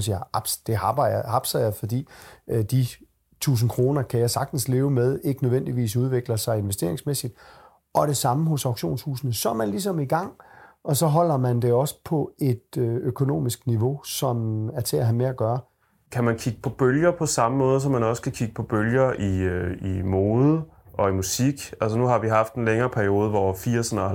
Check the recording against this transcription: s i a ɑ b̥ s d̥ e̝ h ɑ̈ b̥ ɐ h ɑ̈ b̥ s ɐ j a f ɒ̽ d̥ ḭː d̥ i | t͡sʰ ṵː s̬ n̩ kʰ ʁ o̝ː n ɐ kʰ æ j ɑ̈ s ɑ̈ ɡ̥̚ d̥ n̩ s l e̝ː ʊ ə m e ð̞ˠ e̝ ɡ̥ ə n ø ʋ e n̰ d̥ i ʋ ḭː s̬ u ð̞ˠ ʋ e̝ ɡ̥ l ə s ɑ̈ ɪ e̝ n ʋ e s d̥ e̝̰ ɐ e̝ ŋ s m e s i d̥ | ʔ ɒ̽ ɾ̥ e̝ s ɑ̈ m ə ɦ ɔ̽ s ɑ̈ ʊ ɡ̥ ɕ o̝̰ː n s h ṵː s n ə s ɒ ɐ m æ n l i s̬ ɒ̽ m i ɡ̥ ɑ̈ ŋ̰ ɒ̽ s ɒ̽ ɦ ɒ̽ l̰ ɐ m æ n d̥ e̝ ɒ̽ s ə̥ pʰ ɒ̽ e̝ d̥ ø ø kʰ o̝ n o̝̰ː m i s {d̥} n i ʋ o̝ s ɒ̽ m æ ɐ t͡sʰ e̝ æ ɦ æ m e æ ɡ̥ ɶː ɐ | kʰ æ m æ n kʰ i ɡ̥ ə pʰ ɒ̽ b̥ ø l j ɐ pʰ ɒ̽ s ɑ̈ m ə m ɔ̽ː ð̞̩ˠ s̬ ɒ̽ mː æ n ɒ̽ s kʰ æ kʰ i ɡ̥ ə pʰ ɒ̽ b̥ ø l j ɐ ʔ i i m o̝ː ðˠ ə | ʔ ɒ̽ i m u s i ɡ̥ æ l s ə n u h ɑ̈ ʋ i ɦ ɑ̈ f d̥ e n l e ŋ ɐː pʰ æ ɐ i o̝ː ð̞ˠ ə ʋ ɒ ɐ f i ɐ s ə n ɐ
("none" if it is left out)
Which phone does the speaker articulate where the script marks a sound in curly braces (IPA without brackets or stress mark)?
ɡ̥